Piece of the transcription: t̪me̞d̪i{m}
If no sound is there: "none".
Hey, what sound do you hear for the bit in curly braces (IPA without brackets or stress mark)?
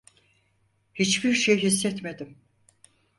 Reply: m